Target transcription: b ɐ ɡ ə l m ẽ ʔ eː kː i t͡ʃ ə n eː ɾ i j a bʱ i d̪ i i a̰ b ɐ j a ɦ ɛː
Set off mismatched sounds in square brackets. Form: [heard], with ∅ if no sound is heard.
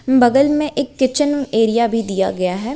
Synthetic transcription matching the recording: b ɐ ɡ ə l m ẽ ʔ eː kː [ɪ] t͡ʃ ə n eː ɾ i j a bʱ i d̪ i [j] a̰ [ɡ] ɐ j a ɦ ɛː

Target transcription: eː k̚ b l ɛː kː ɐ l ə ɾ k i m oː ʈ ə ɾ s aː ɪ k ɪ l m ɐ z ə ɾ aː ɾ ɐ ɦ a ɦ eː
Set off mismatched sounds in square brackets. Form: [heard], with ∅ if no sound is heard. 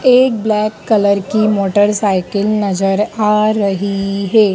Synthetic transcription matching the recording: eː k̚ b l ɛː kː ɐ l ə ɾ k i m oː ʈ ə ɾ s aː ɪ k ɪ l [n] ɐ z ə ɾ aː ɾ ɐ ɦ [i] ɦ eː

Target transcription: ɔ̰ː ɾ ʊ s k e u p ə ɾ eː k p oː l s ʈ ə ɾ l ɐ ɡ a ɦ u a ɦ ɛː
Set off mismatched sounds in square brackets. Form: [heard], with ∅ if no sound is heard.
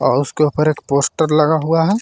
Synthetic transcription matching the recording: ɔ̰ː ɾ ʊ s k e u p ə ɾ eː k p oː [∅] s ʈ ə ɾ l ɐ ɡ a ɦ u a ɦ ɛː

